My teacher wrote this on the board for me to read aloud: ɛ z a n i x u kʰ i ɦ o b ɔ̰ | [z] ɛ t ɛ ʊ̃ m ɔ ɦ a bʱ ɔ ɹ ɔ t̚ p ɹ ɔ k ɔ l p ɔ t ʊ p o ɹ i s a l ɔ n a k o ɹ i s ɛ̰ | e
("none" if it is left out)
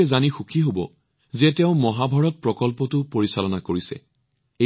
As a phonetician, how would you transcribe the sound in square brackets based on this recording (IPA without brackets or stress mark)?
z